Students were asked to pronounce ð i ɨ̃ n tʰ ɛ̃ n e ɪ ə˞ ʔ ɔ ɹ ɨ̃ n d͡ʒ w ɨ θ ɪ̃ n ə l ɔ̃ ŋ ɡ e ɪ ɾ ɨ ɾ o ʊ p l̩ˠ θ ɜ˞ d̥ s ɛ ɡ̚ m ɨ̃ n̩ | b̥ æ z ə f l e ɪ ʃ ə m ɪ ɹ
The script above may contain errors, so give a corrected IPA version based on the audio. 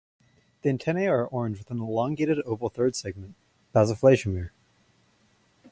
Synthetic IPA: ð i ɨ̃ n tʰ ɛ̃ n e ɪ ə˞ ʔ ɔ ɹ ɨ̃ n d͡ʒ w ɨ θ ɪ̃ n ə l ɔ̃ ŋ ɡ e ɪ ɾ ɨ ɾ o ʊ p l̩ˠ θ ɜ˞ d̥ s ɛ ɡ̚ m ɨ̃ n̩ | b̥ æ z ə f l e ɪ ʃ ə m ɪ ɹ